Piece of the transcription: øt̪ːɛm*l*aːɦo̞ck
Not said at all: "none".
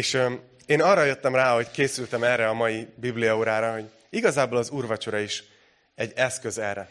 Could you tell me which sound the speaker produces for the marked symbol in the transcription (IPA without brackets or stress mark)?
r